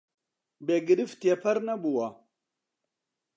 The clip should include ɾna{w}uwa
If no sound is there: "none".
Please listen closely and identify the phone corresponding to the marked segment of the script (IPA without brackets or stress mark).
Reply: b